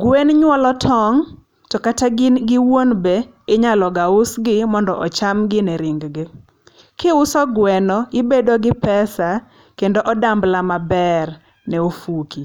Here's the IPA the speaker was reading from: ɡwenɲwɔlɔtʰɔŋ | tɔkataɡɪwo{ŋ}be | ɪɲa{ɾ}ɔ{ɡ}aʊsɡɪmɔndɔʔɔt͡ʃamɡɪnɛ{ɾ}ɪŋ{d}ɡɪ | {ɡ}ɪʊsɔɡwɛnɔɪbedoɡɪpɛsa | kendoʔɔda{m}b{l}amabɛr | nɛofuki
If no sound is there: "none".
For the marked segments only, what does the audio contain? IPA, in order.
n, l, ɡ, ɾ, ɡ, k, m, l

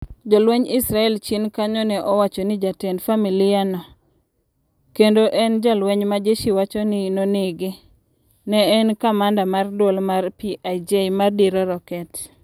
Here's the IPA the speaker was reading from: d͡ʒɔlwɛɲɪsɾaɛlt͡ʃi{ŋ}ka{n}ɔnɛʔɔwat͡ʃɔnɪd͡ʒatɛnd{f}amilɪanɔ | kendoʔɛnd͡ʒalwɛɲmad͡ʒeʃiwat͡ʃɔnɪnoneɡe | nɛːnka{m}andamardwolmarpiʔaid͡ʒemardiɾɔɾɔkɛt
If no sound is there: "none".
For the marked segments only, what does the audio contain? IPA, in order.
n, ɲ, f, m

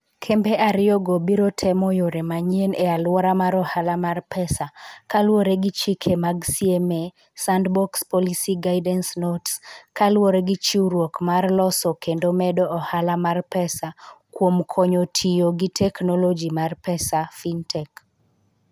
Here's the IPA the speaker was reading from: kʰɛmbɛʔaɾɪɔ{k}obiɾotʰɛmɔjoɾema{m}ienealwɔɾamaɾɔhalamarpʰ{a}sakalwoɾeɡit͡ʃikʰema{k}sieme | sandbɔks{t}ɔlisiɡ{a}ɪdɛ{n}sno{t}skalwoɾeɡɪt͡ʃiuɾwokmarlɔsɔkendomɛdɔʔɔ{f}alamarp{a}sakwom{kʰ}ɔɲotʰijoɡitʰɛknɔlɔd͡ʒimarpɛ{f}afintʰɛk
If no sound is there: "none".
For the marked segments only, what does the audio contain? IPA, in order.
ɡ, ɲ, ɛ, ɡ, p, a, n, t, h, ɛ, kʰ, s

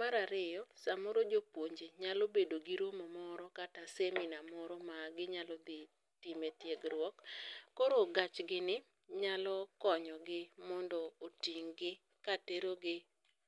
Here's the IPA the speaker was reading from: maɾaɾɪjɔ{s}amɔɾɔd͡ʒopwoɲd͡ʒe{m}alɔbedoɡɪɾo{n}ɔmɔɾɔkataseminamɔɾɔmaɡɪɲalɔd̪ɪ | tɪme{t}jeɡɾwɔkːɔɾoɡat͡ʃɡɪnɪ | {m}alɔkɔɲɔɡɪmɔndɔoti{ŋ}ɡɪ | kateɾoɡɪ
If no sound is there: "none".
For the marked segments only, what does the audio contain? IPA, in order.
s, ɲ, m, t, ɲ, ŋ

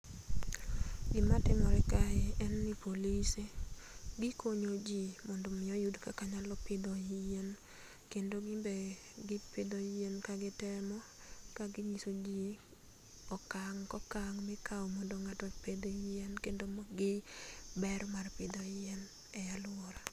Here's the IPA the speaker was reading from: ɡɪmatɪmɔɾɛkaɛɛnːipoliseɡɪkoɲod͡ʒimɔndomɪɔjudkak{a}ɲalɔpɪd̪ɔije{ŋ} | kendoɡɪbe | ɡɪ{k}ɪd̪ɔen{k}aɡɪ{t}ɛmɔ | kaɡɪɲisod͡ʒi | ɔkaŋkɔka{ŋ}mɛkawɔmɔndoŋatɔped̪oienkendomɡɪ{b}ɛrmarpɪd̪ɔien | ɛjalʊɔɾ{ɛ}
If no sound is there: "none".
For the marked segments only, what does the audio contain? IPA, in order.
a, n, p, k, t, ŋ, b, a

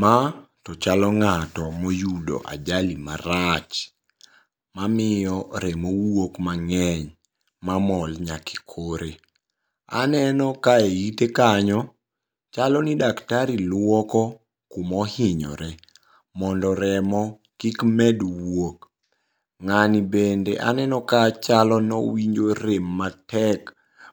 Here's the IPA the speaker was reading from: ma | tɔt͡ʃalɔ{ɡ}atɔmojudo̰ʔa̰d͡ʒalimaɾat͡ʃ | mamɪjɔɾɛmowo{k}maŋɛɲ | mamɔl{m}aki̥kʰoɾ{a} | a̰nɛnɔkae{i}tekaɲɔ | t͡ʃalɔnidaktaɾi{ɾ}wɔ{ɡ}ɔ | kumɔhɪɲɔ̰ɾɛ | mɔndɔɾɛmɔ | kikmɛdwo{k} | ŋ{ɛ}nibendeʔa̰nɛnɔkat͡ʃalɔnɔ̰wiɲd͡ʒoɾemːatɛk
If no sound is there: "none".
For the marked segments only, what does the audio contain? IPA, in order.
ŋ, k, ɲ, e, i, l, k, k, a

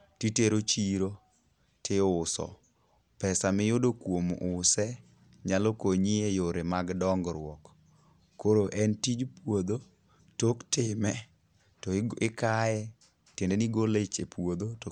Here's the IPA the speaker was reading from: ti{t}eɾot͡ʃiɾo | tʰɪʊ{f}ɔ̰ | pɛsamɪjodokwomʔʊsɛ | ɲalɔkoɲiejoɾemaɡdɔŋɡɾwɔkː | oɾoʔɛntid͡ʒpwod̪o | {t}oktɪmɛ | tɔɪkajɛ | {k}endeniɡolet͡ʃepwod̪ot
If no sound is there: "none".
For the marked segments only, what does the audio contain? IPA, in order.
t, s, t, t

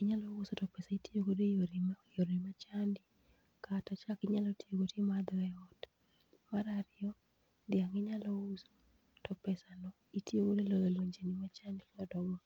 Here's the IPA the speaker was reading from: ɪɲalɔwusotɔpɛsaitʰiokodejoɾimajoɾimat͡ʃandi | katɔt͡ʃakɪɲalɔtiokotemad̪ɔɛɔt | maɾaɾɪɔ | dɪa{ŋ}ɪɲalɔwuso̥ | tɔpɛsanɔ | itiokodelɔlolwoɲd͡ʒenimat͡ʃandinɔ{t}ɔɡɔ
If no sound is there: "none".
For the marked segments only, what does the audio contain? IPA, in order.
ŋ, d

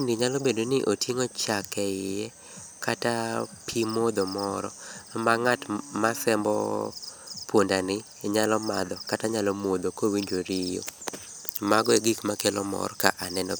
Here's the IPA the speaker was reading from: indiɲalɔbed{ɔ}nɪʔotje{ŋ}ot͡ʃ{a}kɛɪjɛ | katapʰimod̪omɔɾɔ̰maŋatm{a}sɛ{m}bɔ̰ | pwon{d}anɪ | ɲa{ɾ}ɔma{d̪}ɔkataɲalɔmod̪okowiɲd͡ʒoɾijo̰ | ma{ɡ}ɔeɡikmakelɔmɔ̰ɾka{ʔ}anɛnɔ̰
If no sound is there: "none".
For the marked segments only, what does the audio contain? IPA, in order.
o, ŋ, a, a, m, d, l, d̪, ɡ, ʔ

